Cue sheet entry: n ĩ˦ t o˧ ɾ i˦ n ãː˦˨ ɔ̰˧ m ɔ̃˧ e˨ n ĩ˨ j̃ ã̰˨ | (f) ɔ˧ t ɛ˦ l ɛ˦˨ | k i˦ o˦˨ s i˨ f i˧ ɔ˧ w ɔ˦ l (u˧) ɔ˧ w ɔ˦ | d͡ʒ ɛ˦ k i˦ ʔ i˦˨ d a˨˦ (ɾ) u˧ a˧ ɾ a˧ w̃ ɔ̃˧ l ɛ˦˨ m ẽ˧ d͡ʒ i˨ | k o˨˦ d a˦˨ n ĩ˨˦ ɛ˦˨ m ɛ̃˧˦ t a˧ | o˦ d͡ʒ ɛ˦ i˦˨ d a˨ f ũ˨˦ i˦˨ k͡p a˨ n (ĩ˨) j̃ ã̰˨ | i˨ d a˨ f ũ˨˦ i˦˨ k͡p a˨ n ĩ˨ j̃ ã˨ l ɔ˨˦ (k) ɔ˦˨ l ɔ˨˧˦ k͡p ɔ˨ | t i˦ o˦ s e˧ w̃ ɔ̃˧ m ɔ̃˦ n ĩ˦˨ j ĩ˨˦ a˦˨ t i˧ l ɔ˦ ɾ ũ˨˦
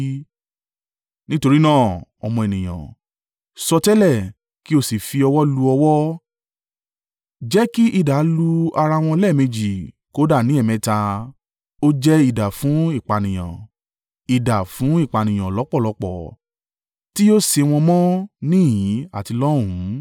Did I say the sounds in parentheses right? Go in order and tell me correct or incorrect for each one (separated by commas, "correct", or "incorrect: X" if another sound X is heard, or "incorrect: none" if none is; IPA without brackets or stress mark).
incorrect: s, correct, incorrect: l, correct, incorrect: k͡p